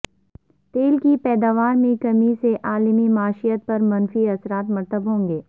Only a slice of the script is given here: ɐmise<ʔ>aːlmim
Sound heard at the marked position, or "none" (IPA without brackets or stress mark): ʔ